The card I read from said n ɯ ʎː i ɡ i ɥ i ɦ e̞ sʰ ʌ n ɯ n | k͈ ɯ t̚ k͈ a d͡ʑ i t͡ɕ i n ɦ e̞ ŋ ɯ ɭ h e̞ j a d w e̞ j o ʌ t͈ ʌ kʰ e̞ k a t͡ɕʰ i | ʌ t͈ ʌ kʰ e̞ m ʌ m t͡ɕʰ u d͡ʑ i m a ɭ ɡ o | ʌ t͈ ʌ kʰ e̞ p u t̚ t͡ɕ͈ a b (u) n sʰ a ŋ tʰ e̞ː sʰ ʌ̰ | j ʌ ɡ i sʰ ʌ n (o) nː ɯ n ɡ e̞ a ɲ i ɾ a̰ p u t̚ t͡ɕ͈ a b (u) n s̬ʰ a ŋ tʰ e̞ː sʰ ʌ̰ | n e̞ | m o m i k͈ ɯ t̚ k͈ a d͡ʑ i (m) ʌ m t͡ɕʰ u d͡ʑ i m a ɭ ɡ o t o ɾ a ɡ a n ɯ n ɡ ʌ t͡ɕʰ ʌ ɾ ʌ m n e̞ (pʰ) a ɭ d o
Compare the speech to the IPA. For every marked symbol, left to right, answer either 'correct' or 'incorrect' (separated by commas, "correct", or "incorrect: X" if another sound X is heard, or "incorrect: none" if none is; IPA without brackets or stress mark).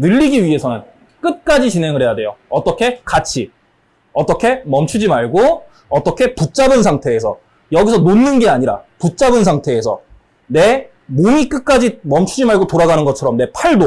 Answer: incorrect: ɯ, correct, incorrect: ɯ, correct, correct